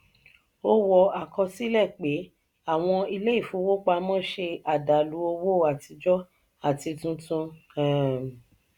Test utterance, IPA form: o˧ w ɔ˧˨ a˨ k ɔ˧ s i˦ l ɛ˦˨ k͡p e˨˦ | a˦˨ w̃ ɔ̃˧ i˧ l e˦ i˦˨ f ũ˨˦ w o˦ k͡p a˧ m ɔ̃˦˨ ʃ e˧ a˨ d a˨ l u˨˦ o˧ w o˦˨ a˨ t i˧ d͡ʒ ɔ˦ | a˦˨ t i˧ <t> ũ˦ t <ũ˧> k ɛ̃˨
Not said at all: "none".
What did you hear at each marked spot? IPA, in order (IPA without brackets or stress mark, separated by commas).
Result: t, ũ˧